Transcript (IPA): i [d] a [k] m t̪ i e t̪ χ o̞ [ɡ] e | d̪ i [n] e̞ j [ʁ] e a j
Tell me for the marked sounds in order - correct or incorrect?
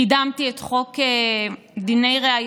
correct, incorrect, incorrect, correct, correct

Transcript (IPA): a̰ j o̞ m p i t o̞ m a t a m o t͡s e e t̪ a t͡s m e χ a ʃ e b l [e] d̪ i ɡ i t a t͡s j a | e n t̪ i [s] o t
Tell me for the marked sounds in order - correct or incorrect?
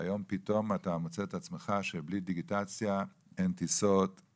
incorrect, correct

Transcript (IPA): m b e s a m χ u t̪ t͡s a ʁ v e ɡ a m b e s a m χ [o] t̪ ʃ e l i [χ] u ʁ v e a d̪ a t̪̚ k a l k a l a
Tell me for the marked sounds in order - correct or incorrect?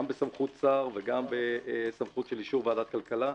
incorrect, incorrect

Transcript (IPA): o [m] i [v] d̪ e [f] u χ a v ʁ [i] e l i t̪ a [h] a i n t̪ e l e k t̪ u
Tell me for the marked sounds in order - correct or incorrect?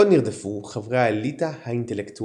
incorrect, incorrect, correct, incorrect, correct

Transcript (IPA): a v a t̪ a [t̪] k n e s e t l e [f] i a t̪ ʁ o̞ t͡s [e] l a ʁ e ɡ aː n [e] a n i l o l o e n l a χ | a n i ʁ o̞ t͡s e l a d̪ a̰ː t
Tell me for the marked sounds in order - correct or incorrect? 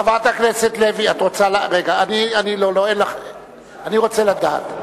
incorrect, incorrect, incorrect, incorrect

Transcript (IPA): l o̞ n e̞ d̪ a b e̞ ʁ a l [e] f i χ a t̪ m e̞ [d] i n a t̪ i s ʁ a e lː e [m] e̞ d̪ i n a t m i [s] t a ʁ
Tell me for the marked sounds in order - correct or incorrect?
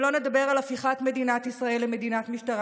incorrect, correct, correct, incorrect

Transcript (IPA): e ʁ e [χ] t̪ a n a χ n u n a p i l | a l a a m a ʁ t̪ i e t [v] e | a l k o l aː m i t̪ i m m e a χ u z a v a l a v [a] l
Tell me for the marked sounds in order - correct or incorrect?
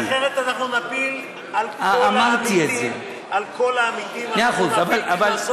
incorrect, incorrect, correct

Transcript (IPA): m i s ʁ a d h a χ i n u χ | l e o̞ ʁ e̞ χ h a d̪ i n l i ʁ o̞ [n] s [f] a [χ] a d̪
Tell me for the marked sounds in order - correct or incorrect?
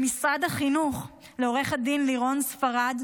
correct, correct, incorrect

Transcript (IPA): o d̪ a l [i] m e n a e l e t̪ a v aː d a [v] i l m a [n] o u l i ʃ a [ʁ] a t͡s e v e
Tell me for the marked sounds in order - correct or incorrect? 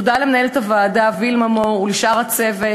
incorrect, correct, incorrect, correct

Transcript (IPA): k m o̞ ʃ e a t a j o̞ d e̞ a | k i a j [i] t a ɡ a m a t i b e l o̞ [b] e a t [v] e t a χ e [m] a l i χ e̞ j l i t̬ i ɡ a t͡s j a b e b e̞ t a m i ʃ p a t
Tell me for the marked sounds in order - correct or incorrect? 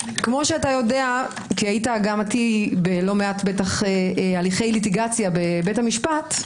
correct, incorrect, incorrect, incorrect

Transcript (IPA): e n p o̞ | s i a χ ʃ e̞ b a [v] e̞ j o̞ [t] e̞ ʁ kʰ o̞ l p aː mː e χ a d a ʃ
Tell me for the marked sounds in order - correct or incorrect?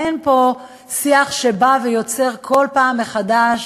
correct, incorrect

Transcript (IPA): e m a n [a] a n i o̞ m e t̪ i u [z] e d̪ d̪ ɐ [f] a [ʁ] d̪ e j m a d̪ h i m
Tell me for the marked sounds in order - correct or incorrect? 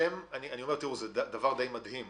incorrect, correct, incorrect, correct

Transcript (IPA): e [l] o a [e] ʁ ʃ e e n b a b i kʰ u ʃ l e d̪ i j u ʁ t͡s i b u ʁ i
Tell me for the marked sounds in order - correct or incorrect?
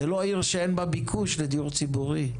correct, incorrect

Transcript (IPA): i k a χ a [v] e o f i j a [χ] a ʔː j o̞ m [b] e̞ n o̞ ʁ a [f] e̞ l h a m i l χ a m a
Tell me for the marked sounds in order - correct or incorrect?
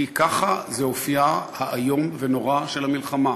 incorrect, incorrect, incorrect, incorrect

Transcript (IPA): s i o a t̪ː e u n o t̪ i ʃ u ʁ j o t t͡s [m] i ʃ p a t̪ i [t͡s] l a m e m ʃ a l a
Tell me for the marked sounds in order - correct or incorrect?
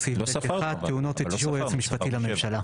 correct, incorrect

